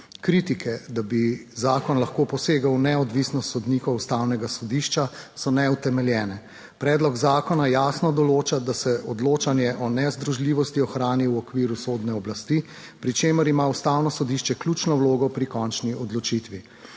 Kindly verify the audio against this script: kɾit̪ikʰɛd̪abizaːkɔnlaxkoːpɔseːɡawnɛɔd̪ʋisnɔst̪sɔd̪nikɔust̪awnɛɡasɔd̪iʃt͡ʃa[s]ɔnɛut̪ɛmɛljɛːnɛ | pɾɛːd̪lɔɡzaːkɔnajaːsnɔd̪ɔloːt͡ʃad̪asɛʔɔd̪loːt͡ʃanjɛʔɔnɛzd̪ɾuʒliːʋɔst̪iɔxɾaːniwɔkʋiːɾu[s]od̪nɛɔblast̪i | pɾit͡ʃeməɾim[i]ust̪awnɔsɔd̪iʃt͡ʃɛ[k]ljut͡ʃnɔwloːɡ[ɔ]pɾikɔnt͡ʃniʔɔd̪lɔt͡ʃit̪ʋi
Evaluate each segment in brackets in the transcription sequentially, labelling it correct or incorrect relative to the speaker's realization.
correct, correct, incorrect, correct, correct

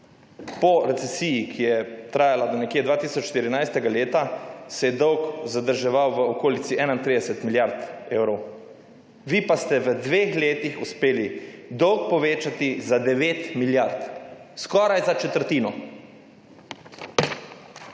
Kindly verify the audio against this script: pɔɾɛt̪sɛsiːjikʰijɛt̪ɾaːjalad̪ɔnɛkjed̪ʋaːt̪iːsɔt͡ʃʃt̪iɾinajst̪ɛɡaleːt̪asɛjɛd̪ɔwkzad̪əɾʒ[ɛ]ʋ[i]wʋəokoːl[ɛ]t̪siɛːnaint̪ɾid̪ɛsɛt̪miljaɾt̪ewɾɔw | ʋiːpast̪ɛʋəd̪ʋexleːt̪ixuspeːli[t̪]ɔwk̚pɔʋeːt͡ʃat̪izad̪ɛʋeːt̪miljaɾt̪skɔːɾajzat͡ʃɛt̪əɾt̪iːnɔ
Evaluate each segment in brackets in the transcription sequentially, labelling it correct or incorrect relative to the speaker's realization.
correct, incorrect, incorrect, incorrect

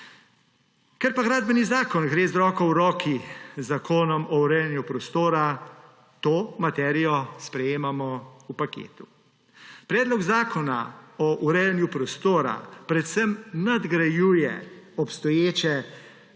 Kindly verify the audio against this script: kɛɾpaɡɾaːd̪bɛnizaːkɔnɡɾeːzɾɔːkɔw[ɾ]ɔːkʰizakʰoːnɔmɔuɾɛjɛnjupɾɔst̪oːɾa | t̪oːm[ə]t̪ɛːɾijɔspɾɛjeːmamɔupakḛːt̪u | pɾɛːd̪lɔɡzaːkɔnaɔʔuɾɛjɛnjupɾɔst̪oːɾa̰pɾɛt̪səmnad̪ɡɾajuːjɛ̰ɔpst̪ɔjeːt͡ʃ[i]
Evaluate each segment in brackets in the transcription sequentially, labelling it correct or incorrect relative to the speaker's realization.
correct, incorrect, incorrect

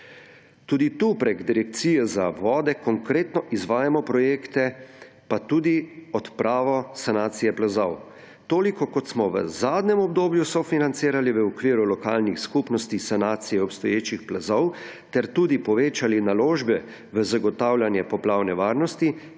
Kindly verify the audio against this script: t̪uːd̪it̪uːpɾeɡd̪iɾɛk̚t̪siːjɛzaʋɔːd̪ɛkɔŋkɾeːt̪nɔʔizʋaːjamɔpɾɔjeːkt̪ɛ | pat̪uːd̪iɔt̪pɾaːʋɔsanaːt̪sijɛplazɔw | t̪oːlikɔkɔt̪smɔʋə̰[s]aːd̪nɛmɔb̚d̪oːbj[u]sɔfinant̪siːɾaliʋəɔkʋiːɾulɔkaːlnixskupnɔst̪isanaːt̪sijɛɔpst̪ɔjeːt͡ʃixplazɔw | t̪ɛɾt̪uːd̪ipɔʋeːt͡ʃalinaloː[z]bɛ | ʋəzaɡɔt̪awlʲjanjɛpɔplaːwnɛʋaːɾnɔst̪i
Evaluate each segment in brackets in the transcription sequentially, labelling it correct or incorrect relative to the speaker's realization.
incorrect, correct, incorrect

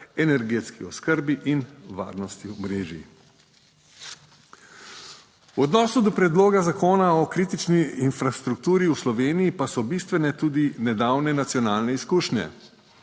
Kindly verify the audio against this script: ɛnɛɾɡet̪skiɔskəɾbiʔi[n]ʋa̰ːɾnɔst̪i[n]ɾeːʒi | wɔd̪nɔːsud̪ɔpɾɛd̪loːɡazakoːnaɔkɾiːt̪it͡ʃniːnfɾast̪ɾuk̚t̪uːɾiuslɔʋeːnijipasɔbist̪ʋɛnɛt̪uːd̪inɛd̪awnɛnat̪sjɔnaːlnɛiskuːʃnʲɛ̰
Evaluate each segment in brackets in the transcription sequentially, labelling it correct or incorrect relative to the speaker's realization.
correct, incorrect

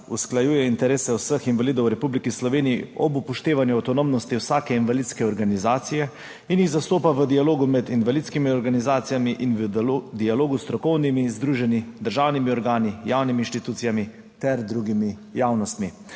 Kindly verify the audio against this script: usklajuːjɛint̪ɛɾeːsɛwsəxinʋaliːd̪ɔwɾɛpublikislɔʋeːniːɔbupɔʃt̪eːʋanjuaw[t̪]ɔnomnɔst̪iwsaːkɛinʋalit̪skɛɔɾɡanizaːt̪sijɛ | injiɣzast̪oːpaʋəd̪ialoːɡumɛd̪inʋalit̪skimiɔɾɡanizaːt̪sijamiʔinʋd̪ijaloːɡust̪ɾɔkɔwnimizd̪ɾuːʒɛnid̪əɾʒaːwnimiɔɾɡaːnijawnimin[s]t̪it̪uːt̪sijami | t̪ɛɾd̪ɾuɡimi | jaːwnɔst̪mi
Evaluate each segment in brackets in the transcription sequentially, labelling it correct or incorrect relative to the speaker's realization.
correct, incorrect

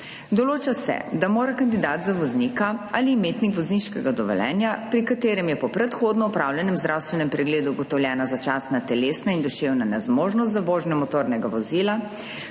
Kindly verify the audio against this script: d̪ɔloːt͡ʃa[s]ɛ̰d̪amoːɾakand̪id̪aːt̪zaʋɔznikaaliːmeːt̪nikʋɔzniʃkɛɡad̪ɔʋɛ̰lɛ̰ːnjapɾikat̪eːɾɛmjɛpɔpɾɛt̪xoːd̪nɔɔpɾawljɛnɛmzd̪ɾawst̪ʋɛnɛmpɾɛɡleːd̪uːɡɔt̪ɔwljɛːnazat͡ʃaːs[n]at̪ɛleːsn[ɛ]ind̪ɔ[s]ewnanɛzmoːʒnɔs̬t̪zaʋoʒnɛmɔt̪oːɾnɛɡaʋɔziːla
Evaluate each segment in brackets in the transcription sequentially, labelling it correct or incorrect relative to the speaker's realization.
correct, correct, incorrect, incorrect

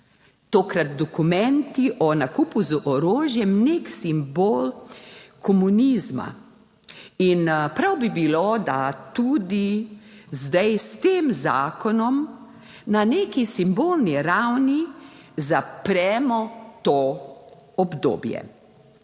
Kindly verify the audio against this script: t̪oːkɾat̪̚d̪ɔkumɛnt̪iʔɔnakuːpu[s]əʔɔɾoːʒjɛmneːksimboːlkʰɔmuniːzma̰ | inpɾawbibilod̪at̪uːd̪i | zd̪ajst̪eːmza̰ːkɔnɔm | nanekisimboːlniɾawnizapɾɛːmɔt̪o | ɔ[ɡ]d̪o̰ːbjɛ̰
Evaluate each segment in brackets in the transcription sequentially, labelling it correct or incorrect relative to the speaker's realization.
incorrect, incorrect

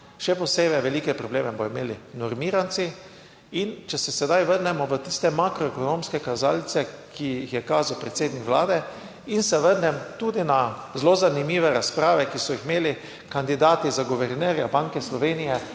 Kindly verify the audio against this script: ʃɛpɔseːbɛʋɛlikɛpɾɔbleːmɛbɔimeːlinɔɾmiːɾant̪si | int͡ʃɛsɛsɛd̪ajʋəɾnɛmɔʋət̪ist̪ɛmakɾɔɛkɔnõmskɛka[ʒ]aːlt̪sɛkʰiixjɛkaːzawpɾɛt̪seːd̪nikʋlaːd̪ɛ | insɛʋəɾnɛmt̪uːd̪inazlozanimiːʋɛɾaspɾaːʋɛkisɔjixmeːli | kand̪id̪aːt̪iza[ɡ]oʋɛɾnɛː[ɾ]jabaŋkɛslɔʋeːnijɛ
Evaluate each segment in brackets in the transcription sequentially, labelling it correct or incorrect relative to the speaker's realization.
incorrect, correct, correct

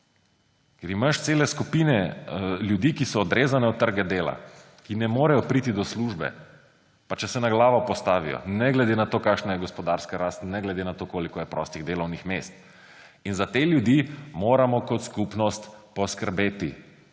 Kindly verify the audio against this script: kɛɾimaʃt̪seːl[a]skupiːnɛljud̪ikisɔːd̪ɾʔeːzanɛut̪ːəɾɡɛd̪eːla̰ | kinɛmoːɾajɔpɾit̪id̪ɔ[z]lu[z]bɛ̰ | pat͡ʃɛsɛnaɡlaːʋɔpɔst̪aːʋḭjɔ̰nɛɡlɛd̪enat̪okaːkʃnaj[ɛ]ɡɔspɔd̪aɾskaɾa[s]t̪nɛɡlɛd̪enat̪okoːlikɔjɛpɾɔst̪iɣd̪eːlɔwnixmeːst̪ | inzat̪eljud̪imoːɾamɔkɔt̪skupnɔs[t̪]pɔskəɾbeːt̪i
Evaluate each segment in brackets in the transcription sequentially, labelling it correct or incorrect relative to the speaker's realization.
incorrect, incorrect, incorrect, correct, correct, correct

